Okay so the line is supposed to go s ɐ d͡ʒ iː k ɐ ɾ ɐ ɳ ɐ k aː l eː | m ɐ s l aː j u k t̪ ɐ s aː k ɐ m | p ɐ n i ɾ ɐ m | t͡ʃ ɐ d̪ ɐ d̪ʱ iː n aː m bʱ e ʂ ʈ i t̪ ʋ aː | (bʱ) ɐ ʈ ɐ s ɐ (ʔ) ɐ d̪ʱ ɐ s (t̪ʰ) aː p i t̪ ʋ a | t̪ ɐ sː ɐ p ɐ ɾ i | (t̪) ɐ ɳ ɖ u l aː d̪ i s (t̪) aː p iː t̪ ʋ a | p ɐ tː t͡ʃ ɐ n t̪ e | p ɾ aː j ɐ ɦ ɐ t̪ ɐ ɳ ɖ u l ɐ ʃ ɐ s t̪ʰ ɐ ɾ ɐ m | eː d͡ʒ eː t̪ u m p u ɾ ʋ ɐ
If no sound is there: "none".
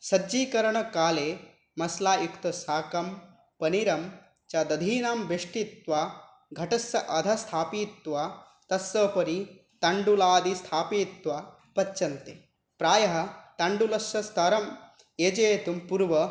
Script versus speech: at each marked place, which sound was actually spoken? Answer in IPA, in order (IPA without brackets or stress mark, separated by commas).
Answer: ɡʱ, ʔ, t̪ʰ, t̪, t̪ʰ